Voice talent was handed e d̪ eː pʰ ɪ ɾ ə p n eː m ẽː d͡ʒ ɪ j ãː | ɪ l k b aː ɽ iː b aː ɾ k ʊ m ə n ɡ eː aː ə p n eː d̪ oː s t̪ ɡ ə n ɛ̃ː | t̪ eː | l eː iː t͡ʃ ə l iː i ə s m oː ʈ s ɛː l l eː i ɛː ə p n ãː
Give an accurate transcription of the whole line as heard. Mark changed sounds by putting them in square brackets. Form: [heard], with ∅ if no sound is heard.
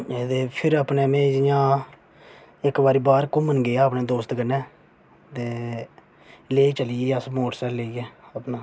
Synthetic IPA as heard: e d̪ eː pʰ ɪ ɾ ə p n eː m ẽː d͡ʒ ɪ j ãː | ɪ [∅] k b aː [ɾ] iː b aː ɾ k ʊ m ə n ɡ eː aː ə p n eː d̪ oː s t̪ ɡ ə n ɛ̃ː | t̪ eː | l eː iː t͡ʃ ə l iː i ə s m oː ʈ s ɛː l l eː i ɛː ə p n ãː